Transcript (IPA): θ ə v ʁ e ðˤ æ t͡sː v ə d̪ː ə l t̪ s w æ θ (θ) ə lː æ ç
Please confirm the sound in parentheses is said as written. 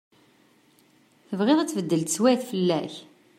no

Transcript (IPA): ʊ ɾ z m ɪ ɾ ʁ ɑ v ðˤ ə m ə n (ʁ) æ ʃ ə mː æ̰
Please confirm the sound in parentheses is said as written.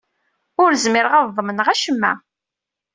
yes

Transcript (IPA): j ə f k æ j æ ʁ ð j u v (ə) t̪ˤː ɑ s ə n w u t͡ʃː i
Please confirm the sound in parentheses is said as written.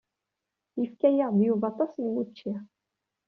no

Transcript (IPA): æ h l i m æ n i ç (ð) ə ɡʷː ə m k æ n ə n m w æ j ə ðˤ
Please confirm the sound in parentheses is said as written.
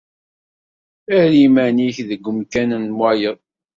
yes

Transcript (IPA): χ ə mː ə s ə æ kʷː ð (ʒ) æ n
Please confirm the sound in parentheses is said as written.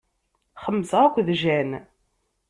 yes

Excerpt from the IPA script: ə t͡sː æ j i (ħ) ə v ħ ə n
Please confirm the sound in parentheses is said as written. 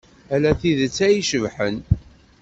no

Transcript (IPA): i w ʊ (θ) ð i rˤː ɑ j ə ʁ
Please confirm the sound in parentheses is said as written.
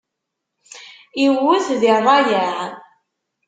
yes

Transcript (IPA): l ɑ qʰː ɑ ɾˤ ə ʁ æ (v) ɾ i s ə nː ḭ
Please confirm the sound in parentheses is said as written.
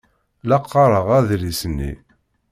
no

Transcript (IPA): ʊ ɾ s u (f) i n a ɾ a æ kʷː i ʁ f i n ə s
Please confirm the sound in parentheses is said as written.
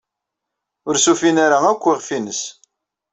yes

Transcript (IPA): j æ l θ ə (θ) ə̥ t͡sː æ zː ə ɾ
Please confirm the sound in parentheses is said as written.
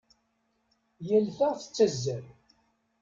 yes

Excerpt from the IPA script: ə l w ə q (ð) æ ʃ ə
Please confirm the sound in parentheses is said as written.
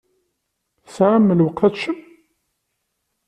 no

